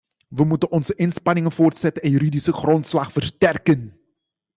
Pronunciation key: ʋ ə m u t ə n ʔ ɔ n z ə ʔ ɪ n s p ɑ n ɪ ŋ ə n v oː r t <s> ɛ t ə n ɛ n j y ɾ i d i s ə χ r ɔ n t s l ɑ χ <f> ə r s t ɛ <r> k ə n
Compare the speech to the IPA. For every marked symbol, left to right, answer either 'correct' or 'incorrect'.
correct, correct, correct

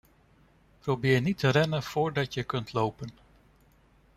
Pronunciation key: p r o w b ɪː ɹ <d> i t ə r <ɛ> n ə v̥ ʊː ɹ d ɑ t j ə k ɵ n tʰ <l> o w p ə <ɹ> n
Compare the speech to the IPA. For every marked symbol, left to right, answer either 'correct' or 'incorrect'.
incorrect: n, correct, correct, incorrect: none

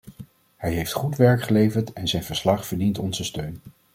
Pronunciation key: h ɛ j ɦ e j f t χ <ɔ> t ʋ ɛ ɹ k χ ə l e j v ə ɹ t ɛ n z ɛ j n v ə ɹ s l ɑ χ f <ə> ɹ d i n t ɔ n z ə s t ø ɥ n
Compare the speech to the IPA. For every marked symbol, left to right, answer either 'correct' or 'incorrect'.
incorrect: u, correct

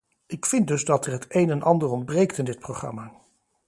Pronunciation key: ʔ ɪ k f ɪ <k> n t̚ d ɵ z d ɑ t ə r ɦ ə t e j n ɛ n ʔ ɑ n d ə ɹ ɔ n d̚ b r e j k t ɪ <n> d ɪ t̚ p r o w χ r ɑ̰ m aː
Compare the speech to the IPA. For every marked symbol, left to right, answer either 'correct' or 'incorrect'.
incorrect: none, correct

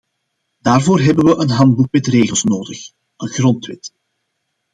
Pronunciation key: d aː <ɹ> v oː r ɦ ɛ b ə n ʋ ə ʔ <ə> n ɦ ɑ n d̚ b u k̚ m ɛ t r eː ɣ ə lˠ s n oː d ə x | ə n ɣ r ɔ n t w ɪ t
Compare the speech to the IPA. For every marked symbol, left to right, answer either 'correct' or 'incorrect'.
incorrect: r, correct

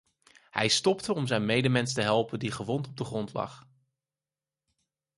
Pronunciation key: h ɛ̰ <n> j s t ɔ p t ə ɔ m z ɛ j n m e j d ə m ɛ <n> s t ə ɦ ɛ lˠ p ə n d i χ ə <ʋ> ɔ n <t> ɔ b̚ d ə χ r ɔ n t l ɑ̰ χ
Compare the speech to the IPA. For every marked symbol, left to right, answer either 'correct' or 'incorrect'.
incorrect: none, correct, correct, correct

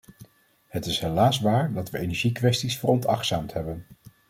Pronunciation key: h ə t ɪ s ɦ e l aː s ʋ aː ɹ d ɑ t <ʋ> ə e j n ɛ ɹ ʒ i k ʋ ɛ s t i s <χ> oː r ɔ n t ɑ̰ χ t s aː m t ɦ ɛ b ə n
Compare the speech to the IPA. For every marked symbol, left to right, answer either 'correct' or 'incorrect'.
correct, incorrect: f

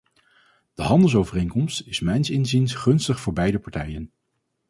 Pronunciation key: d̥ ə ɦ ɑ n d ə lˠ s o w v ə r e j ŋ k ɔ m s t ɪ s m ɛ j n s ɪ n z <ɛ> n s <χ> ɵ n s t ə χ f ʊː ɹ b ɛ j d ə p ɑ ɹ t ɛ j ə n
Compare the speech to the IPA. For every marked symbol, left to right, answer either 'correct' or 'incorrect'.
incorrect: i, correct

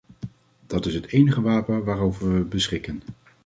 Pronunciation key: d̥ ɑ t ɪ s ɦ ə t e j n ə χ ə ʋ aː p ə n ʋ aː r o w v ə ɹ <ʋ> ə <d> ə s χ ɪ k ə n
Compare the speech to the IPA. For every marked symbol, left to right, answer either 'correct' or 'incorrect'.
correct, incorrect: b

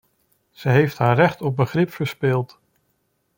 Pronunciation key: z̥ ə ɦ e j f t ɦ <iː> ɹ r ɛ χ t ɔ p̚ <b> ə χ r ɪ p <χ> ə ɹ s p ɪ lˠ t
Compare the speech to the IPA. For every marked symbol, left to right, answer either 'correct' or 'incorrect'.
incorrect: aː, correct, incorrect: f

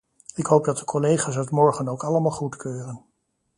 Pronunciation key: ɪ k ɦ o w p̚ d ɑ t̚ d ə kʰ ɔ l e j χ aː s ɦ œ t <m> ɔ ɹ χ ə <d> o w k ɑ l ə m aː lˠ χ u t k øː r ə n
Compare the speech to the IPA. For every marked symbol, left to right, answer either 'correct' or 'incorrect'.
correct, incorrect: n

